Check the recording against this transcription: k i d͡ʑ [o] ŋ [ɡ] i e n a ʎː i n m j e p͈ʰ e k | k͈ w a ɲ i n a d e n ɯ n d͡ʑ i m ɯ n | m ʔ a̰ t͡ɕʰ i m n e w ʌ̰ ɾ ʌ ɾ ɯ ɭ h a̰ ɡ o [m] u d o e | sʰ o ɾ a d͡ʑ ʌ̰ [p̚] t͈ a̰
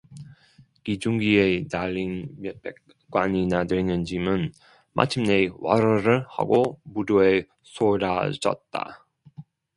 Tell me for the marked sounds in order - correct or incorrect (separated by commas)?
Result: incorrect, correct, correct, incorrect